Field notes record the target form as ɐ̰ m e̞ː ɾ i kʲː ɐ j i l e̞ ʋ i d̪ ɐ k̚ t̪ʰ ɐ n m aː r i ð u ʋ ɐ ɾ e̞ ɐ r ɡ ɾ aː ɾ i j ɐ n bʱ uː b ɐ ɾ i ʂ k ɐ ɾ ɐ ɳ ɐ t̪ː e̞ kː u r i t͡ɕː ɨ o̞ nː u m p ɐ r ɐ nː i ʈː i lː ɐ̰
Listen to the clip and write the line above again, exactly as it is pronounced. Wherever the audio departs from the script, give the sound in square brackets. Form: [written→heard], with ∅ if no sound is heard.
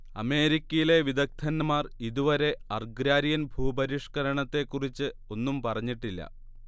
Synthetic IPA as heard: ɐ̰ m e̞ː ɾ i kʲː ɐ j i l e̞ ʋ i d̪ ɐ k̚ t̪ʰ ɐ n m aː r i ð u ʋ ɐ ɾ e̞ ɐ r ɡ ɾ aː ɾ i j ɐ n bʱ uː b ɐ ɾ i ʂ k ɐ ɾ ɐ ɳ ɐ t̪ː e̞ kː u r i t͡ɕː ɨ o̞ nː u m p ɐ r ɐ [nː→ɲː] i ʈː i lː ɐ̰

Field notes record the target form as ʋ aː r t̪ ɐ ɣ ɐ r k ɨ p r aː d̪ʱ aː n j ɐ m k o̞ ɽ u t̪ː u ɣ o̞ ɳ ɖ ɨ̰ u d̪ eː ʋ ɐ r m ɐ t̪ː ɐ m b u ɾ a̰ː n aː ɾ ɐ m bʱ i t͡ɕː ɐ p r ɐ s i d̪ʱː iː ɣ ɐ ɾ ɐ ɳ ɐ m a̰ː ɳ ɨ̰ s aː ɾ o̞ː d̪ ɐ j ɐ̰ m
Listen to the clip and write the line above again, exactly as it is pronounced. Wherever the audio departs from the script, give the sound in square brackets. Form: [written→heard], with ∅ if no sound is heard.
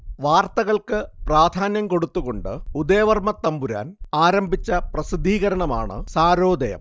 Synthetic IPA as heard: ʋ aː r t̪ ɐ ɣ ɐ [r→ɭ] k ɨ p r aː d̪ʱ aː n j ɐ m k o̞ ɽ u t̪ː u ɣ o̞ ɳ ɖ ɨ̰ u d̪ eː ʋ ɐ r m ɐ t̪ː ɐ m b u ɾ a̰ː n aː ɾ ɐ m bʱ i t͡ɕː ɐ p r ɐ s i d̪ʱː iː ɣ ɐ ɾ ɐ ɳ ɐ m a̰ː ɳ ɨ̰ s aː ɾ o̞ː d̪ ɐ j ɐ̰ m

